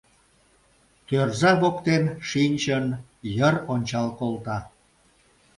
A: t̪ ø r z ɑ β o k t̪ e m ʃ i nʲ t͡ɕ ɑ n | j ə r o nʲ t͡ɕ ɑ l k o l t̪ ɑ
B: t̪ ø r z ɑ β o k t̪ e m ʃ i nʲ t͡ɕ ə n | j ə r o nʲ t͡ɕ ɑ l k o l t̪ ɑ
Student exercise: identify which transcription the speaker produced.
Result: B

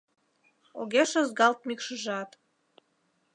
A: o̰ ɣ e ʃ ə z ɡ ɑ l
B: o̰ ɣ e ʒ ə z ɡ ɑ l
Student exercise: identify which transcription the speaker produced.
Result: A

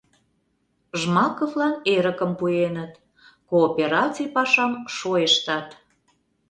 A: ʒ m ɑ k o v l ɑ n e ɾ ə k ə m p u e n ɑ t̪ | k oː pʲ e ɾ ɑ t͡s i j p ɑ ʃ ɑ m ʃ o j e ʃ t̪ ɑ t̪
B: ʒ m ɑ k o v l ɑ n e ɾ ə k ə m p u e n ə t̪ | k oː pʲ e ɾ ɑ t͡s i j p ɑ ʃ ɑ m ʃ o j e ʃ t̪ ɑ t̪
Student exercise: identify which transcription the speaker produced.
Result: B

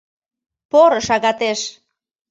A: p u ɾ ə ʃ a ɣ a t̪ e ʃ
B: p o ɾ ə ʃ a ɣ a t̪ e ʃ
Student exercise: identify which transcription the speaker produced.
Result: B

